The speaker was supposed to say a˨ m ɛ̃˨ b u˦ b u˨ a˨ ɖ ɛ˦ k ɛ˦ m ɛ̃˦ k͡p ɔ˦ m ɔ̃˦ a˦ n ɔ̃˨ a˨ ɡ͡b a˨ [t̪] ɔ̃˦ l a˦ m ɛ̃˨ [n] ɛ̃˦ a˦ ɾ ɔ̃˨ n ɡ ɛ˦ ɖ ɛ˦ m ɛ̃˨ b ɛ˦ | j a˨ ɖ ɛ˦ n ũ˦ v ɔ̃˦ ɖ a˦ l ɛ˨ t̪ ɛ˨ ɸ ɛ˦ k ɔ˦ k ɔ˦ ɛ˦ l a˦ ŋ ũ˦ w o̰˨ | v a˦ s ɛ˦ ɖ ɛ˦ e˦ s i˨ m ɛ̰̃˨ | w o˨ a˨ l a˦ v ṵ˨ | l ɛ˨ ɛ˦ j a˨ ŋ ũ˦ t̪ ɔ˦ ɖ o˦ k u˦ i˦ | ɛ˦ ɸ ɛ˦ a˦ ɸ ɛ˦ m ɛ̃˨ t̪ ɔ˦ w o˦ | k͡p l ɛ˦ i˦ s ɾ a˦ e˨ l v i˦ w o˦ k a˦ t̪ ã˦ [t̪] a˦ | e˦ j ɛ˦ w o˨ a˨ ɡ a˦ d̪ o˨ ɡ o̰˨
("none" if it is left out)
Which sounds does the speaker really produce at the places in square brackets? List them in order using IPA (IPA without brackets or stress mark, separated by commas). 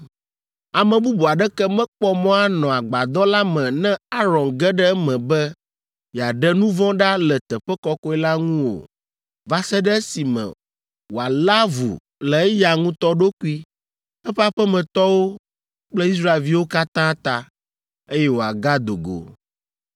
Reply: d̪, n, t̪